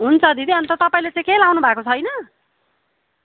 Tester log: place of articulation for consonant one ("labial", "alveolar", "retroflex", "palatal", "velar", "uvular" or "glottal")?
glottal